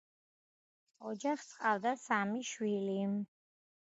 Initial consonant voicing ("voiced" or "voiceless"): voiced